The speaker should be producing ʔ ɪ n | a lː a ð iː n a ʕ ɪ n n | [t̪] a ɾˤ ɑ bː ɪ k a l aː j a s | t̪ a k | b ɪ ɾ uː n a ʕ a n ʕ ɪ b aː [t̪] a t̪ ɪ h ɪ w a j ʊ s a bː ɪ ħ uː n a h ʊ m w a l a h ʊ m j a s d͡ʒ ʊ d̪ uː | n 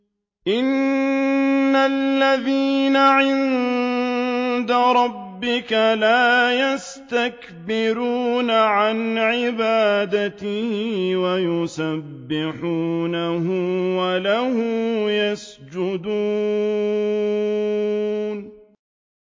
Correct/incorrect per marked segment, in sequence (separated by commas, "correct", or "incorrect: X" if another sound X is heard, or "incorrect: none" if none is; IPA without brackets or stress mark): incorrect: d̪, incorrect: d̪